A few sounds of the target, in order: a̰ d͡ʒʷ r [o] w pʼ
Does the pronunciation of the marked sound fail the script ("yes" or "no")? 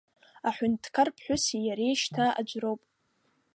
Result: no